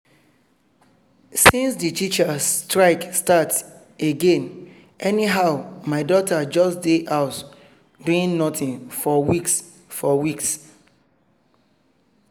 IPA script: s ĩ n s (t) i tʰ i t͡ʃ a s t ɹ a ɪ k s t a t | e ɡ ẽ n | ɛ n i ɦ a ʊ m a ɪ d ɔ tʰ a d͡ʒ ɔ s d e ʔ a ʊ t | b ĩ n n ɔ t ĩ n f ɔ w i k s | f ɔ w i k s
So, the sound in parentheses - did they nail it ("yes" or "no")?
no